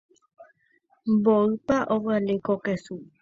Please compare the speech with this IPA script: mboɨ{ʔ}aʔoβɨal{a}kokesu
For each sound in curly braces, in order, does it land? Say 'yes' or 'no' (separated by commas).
no, no